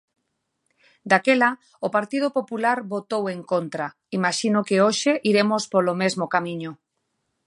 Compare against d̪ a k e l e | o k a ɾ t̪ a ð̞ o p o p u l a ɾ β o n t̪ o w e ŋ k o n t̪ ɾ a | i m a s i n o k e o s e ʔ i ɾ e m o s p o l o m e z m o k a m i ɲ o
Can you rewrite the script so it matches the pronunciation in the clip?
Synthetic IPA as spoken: d̪ a k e l a | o p a ɾ t̪ i ð̞ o p o p u l a ɾ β o t̪ o w e ŋ k o n t̪ ɾ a | i m a ʃ i n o k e o ʃ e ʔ i ɾ e m o s p o l o m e z m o k a m i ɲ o